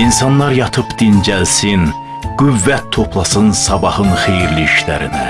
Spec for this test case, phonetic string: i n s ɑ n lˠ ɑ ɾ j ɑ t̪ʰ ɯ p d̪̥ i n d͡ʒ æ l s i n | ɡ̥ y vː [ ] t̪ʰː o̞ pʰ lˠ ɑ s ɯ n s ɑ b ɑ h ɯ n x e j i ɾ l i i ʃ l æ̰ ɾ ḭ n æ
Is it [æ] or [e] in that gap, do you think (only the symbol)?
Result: æ